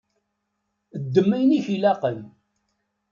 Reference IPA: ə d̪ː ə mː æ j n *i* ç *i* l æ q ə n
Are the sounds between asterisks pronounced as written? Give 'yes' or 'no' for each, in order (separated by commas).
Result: yes, yes